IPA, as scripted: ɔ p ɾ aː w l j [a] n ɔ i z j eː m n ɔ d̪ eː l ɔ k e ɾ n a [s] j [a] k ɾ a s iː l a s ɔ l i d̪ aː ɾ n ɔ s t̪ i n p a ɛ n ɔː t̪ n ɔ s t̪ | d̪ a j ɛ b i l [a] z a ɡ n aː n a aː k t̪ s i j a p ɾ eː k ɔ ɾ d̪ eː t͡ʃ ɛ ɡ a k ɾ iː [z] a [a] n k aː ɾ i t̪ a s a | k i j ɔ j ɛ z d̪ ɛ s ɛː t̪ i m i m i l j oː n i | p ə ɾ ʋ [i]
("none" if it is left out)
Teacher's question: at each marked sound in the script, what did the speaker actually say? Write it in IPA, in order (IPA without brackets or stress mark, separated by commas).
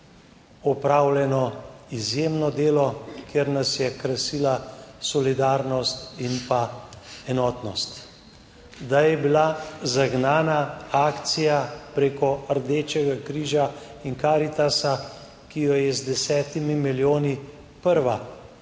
ɛ, s, ɛ, a, ʒ, i, a